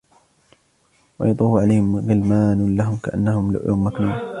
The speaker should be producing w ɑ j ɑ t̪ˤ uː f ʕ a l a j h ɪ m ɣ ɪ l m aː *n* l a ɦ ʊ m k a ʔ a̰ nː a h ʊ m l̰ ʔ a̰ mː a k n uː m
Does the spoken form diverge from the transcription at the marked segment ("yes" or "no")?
no